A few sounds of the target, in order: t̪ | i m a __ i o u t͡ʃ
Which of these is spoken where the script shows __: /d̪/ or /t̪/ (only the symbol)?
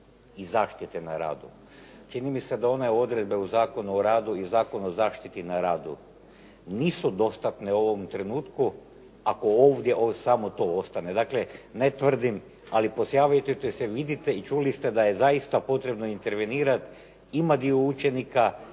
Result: d̪